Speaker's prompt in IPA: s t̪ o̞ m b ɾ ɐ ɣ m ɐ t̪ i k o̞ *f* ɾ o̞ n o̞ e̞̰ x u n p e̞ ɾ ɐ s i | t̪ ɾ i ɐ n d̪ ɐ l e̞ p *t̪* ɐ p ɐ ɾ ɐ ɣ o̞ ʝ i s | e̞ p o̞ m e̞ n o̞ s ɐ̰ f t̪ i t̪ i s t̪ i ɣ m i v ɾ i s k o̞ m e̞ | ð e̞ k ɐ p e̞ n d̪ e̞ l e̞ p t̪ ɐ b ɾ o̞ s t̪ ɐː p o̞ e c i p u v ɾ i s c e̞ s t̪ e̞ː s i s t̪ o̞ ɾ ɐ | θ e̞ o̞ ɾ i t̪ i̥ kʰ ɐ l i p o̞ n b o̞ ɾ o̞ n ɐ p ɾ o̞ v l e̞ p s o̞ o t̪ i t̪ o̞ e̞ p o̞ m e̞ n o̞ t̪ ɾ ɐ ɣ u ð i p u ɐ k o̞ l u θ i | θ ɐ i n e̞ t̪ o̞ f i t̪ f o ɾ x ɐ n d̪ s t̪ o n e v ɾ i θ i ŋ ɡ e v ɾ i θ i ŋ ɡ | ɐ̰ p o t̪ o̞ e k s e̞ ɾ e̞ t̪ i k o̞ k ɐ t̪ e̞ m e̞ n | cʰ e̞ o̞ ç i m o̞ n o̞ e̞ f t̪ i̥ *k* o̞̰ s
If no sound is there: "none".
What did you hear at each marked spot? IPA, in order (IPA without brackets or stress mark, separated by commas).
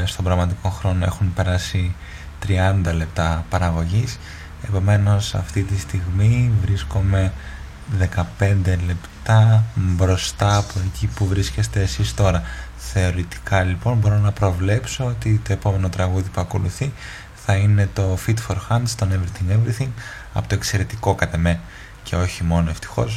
x, t̪, x